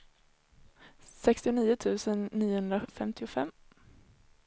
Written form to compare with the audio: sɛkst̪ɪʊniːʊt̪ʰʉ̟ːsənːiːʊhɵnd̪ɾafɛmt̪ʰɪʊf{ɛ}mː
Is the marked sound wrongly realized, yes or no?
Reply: no